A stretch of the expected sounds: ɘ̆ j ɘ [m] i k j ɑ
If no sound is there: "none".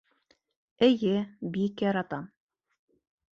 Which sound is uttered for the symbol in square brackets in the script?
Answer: b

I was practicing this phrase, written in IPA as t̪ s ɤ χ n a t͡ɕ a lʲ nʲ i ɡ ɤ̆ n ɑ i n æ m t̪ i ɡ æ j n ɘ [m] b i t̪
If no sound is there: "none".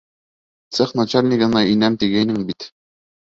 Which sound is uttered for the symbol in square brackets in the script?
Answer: ŋ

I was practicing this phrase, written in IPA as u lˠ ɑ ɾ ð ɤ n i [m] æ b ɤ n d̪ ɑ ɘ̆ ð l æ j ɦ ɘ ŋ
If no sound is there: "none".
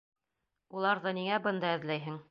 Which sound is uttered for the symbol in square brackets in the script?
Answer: ŋ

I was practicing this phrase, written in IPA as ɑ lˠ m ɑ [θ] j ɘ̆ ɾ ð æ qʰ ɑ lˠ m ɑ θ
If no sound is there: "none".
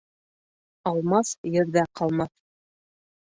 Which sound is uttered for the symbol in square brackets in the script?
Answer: s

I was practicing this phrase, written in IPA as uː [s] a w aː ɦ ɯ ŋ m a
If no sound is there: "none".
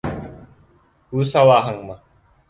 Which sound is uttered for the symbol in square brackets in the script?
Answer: s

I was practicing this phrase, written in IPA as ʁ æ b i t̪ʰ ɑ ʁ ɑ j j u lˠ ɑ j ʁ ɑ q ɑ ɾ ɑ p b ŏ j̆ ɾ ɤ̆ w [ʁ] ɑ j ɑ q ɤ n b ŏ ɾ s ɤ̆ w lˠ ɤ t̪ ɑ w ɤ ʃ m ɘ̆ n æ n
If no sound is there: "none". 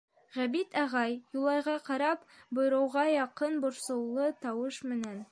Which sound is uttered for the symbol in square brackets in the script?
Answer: ʁ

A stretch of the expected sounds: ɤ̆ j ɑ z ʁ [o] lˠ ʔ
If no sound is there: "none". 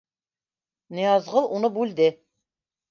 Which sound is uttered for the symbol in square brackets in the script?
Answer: ɤ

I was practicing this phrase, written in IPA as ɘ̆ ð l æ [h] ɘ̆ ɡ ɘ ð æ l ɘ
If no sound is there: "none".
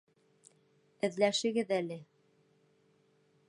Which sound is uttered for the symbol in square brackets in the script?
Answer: ʃ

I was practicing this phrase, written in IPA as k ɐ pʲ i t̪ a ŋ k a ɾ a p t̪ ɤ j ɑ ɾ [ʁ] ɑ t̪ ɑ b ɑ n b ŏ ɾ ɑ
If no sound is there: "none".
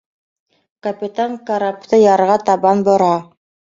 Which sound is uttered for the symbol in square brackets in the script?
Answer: ʁ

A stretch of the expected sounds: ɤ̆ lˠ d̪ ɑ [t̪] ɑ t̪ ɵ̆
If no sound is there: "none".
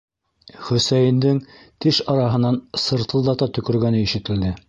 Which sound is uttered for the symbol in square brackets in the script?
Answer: t̪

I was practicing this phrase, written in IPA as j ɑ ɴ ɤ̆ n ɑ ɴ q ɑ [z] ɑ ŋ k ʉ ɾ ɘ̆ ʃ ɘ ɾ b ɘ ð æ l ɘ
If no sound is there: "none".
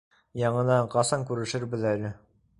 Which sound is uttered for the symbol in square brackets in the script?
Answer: s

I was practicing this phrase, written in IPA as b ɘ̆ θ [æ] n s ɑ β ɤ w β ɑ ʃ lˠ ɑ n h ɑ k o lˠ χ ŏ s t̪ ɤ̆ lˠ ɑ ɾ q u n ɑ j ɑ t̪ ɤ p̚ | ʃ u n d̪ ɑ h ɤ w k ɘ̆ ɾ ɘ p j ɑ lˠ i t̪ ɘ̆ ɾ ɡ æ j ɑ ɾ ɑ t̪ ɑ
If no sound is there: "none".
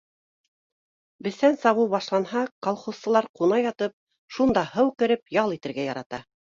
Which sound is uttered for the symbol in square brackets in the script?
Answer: æ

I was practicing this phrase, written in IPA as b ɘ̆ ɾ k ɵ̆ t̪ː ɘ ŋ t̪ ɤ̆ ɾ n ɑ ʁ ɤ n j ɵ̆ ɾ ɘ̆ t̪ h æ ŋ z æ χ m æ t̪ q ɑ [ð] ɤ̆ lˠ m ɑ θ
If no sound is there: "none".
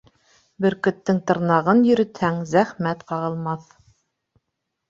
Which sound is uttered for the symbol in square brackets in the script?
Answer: ʁ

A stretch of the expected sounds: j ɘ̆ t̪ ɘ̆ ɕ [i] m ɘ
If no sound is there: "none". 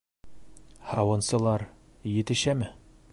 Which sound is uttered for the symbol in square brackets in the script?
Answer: æ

